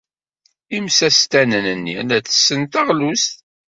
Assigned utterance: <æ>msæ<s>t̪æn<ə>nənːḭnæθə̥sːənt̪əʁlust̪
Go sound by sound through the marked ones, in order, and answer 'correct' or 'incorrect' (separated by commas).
incorrect, correct, correct